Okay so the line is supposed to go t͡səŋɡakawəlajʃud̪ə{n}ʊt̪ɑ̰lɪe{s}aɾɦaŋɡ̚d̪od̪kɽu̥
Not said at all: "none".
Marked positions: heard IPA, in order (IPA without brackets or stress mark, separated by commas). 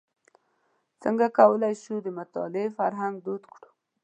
m, f